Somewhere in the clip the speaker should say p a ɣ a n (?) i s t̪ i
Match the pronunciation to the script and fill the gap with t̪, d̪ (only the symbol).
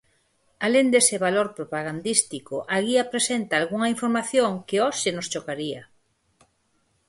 d̪